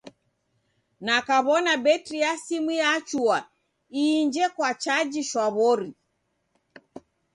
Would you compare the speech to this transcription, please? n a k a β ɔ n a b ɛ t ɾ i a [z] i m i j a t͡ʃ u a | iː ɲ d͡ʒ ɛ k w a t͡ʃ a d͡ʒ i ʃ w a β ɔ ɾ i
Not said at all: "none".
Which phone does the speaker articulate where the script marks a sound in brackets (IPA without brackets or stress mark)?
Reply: s